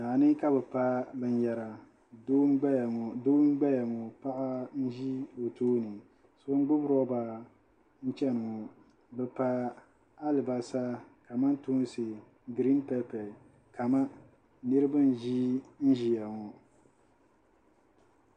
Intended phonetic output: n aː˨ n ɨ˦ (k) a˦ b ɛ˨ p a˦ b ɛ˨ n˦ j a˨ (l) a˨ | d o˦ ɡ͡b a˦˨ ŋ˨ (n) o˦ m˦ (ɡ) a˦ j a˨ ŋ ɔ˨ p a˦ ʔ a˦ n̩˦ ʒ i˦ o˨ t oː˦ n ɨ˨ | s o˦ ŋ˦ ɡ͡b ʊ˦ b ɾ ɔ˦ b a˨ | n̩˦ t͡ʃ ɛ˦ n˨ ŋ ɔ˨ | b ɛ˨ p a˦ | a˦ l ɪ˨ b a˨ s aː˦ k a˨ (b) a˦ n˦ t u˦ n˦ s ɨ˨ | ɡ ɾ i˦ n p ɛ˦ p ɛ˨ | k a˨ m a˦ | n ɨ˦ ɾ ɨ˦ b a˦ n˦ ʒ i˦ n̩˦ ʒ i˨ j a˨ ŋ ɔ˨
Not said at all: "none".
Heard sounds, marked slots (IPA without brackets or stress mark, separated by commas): k, ɾ, d, ɡ͡b, m